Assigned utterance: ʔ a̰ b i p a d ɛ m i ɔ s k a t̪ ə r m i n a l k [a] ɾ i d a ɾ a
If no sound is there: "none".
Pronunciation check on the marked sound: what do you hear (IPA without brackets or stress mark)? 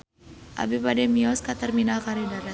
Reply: a